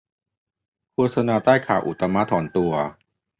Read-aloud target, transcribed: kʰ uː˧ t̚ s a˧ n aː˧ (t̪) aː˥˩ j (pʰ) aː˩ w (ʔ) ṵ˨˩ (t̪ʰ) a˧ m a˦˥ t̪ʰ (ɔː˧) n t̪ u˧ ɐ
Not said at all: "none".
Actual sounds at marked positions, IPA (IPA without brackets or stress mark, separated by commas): t̪, kʰ, ʔ, t̪, ɔː˩˦